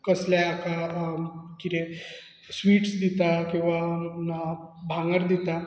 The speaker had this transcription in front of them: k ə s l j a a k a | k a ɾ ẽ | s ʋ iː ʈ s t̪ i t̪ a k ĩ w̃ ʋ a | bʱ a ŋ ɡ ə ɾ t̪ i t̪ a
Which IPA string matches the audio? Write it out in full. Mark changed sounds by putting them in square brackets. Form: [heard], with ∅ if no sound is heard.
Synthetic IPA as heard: k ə s l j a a k a | k [i] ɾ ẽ | s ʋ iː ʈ s [d̪] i t̪ a k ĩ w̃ ʋ a | bʱ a ŋ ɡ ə ɾ [d̪] i t̪ a